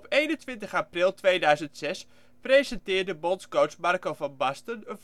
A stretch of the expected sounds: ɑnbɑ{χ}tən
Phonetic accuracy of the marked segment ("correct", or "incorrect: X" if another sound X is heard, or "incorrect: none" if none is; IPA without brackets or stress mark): incorrect: s